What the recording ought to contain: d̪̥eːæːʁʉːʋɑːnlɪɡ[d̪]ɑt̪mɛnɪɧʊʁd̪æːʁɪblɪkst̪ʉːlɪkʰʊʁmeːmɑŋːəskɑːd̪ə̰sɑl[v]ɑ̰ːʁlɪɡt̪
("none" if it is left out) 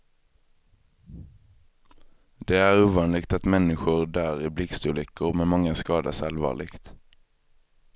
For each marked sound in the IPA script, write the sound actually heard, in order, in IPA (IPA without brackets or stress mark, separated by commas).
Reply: t̪, ʋ